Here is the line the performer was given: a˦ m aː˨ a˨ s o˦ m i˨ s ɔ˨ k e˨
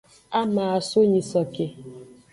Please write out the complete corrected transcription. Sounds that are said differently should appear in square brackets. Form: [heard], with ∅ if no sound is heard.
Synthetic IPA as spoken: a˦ m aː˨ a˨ s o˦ [ɲ] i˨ s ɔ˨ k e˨